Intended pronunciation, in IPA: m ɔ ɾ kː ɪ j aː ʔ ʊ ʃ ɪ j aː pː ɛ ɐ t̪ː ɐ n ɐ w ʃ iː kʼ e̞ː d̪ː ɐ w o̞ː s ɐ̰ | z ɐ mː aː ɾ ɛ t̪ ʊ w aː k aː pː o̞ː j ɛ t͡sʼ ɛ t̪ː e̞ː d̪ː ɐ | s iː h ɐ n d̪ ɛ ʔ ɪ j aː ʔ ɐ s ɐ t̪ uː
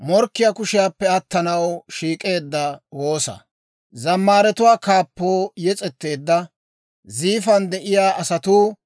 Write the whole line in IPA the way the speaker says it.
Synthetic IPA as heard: m ɔ ɾ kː ɪ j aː k ʊ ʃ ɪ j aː pː ɛ ɐ t̪ː ɐ n ɐ w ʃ iː kʼ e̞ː d̪ː ɐ w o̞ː s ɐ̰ | z ɐ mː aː ɾ ɛ t̪ ʊ w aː k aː pː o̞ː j ɛ t͡sʼ ɛ t̪ː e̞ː d̪ː ɐ | z iː f ɐ n d̪ ɛ ʔ ɪ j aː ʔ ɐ s ɐ t̪ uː